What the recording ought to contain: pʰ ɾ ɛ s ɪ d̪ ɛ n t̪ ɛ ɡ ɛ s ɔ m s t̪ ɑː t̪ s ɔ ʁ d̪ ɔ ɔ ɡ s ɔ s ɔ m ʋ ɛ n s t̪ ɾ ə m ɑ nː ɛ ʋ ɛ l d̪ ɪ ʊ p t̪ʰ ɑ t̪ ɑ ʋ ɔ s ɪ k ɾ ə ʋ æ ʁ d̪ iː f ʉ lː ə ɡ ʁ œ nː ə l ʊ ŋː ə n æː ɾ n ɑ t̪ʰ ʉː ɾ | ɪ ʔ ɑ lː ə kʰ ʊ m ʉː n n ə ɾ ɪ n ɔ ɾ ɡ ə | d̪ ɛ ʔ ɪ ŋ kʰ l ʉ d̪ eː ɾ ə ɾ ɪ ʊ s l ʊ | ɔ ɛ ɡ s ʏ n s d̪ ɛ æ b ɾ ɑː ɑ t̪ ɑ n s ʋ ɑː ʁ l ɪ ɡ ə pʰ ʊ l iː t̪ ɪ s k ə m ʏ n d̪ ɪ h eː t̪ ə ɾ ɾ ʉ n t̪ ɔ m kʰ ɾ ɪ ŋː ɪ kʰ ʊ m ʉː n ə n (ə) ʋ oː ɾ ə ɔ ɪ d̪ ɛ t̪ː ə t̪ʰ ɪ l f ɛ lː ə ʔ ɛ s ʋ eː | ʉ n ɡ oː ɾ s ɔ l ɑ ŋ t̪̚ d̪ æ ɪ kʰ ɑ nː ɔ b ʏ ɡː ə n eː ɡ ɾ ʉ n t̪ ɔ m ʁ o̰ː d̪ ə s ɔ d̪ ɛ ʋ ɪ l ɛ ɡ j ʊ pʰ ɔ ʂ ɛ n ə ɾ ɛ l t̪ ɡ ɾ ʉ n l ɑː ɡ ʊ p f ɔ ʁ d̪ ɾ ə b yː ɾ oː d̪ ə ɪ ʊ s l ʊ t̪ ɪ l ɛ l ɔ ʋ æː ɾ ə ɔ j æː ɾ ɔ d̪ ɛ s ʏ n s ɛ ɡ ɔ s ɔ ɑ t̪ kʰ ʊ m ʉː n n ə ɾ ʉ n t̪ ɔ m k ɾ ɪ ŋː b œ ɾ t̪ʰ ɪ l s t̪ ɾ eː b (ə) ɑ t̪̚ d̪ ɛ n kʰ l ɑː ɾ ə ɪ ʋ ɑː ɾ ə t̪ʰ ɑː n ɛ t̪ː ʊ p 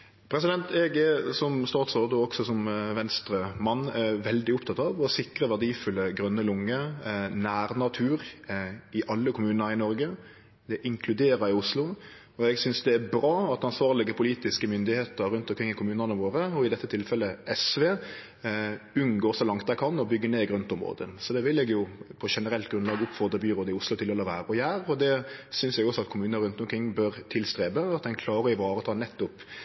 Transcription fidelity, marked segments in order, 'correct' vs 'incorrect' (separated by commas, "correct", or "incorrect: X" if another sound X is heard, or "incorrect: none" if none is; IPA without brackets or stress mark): correct, correct